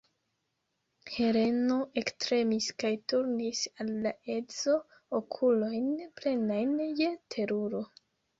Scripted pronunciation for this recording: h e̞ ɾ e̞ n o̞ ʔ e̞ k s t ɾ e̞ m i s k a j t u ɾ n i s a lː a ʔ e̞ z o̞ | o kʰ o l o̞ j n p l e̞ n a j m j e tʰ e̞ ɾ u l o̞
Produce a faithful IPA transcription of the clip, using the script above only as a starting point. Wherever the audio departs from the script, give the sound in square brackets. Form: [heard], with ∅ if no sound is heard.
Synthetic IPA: h e̞ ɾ e̞ n o̞ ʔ e̞ k s t ɾ e̞ m i s k a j t u ɾ n i s a lː a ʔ e̞ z o̞ | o kʰ [u] l o̞ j n p l e̞ n a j [n] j e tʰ e̞ ɾ u [ɾ] o̞